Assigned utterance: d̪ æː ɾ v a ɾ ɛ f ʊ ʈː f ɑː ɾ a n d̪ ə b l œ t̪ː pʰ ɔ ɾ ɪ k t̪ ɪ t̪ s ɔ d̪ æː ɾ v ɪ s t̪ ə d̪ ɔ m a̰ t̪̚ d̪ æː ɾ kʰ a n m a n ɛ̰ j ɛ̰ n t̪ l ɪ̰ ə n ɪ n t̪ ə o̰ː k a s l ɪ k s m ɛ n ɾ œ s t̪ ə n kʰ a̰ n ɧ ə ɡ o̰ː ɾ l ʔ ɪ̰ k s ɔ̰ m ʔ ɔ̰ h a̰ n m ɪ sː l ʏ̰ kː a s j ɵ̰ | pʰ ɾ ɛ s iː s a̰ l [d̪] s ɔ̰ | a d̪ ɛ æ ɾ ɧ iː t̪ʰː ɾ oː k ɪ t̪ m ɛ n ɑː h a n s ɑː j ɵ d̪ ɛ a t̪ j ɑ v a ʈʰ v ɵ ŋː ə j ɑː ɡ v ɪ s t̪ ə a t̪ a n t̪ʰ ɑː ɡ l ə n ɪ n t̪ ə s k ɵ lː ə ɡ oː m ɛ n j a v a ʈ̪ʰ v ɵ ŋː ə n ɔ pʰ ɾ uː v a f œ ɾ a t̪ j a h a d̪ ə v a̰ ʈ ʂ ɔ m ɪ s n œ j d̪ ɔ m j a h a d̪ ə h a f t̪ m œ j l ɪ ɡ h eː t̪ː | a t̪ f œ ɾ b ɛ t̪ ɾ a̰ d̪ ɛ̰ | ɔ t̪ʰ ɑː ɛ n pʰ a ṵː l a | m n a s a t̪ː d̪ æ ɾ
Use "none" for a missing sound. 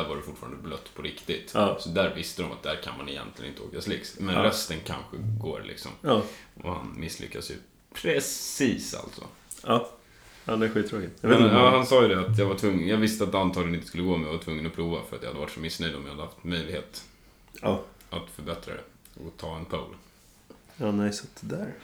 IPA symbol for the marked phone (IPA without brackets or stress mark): t̪